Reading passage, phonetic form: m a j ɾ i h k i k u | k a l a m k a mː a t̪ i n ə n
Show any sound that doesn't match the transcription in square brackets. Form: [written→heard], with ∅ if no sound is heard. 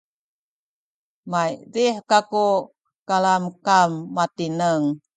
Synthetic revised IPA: m a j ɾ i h k [i→a] k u | k a l a m k a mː a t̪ i n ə [n→ŋ]